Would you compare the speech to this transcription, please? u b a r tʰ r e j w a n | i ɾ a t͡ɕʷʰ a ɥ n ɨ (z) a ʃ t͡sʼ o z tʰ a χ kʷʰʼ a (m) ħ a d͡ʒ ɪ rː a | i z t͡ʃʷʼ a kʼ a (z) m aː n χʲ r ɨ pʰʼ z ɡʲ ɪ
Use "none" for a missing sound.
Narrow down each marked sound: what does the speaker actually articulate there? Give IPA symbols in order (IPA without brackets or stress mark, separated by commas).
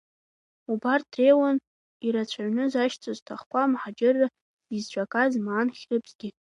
z, m, z